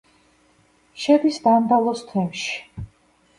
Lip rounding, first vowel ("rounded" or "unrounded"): unrounded